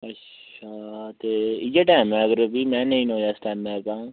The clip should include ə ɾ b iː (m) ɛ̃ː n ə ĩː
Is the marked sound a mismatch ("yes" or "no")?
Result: no